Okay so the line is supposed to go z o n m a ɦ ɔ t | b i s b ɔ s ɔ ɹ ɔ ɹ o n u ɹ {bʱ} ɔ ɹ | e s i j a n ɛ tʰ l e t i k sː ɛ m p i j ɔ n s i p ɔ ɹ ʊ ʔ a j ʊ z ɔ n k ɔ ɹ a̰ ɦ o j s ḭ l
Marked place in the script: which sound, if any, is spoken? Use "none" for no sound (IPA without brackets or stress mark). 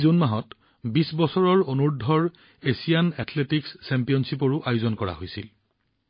dʱ